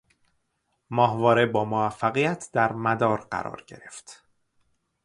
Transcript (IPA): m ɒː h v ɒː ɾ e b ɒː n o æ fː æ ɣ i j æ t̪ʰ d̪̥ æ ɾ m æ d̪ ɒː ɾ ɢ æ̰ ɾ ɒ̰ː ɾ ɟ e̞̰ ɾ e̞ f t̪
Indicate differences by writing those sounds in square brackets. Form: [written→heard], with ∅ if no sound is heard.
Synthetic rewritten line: m ɒː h v ɒː ɾ e b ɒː [n→m] o æ fː æ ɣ i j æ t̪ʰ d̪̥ æ ɾ m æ d̪ ɒː ɾ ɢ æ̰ ɾ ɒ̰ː ɾ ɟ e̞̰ ɾ e̞ f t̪